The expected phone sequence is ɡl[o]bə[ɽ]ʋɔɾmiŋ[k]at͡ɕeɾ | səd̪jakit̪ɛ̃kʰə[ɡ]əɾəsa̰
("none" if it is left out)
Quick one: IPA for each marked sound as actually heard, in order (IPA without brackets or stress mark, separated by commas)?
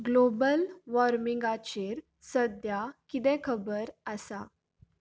o, l, ɡ, b